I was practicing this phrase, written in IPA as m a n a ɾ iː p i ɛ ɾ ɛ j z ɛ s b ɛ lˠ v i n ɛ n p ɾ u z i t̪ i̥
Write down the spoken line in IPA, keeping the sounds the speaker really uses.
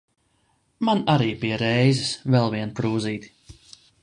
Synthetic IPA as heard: m a n a ɾ iː p i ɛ ɾ ɛ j z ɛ s v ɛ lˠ v i ɛ n p ɾ uː z iː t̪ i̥